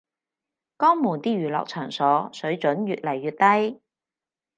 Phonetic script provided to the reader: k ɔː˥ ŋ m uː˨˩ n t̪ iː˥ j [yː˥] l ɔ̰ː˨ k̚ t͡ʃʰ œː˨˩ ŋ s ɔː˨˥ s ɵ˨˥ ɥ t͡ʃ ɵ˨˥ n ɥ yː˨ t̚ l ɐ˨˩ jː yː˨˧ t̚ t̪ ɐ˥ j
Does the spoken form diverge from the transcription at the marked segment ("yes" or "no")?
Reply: yes